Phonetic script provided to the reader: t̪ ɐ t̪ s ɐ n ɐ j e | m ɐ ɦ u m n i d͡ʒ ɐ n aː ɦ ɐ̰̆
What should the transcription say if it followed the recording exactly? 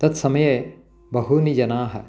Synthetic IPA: t̪ ɐ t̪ s ɐ m ɐ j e | b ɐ ɦ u n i d͡ʒ ɐ n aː ɦ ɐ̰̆